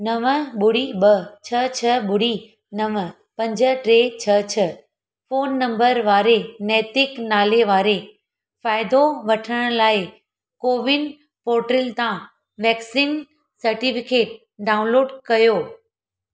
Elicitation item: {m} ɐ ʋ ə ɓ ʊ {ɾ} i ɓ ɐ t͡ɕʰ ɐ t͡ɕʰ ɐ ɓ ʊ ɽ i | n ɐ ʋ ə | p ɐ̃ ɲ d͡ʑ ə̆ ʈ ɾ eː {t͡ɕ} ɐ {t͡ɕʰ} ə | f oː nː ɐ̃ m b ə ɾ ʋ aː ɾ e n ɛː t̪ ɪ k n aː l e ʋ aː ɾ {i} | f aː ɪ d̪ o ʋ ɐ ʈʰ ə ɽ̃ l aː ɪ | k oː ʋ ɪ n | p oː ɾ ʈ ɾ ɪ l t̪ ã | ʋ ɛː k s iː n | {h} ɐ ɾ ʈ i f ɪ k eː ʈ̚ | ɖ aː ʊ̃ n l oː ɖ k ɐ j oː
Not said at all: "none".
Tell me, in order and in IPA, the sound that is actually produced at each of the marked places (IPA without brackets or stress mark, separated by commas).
n, ɽ, t͡ɕʰ, t͡ɕʰ, e, s